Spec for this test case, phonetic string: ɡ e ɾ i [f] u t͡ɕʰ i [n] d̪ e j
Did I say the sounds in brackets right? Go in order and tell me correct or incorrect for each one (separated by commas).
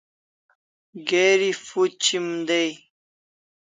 correct, incorrect